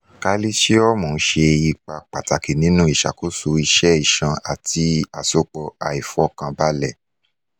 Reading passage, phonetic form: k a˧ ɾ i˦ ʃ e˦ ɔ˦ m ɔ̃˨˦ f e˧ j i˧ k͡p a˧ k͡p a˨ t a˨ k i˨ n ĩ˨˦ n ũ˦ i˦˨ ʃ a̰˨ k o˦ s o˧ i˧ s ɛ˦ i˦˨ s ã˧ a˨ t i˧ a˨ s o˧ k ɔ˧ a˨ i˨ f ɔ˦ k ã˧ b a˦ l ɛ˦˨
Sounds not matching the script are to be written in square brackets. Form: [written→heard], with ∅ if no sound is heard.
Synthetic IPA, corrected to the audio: k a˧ [ɾ→l] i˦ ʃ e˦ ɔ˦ m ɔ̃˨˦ [f→ʃ] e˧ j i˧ k͡p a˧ k͡p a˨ t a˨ k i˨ n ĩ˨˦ n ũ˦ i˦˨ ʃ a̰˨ k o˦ s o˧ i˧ [s→ʃ] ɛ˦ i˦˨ [s→ʃ] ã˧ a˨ t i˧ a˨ s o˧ [k→k͡p] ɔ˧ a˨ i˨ f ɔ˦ k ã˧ b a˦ l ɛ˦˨